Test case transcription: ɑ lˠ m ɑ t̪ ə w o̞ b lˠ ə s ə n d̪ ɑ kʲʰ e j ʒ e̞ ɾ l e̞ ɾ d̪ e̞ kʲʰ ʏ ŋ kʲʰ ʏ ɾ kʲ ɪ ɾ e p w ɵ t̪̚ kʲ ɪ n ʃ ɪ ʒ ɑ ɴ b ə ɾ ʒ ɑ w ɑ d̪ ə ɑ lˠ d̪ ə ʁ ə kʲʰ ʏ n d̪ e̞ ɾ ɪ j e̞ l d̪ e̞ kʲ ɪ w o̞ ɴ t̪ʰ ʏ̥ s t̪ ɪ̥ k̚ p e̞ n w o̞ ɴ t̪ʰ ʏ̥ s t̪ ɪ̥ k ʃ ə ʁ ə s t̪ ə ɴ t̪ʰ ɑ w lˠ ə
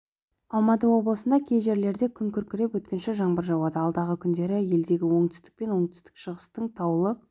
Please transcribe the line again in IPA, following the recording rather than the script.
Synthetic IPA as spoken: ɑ lˠ m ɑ t̪ ə w o̞ b lˠ ə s ə n d̪ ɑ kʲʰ e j ʒ e̞ ɾ l e̞ ɾ d̪ e̞ kʲʰ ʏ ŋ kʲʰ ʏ ɾ kʲ ɪ ɾ e p w ɵ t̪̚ kʲ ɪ n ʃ ɪ ʒ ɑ ɴ b ə ɾ ʒ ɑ w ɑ d̪ ə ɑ lˠ d̪ ɑ ʁ ə kʲʰ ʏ n d̪ e̞ ɾ ɪ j e̞ l d̪ e̞ ɡʲ ɪ w o̞ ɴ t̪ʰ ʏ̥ s t̪ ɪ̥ k̚ p e̞ n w o̞ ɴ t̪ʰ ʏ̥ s t̪ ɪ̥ k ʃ ə ʁ ə s t̪ ə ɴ t̪ʰ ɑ w lˠ ə